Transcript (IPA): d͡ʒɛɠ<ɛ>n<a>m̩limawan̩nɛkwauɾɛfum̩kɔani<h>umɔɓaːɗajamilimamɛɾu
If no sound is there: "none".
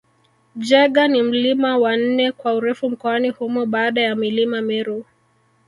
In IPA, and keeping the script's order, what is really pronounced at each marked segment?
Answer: a, i, h

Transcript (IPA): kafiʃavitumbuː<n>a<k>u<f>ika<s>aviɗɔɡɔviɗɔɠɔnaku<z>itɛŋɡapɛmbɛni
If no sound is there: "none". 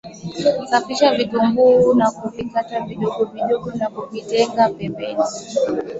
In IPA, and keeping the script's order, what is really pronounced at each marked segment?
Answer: n, k, v, t, v

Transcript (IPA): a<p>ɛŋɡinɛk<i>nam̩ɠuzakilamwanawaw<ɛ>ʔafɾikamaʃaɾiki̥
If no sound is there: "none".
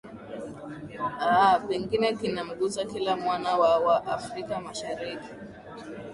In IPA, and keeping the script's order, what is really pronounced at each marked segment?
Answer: p, i, a

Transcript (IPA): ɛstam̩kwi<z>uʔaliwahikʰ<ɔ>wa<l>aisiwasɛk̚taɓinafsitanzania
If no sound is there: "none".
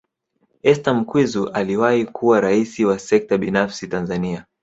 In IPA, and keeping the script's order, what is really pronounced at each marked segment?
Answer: z, u, ɾ

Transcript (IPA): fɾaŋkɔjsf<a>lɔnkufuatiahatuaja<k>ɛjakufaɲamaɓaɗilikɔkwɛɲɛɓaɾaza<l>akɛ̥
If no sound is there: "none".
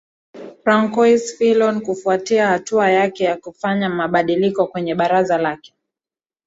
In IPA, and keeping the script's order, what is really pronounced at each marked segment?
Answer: i, k, l

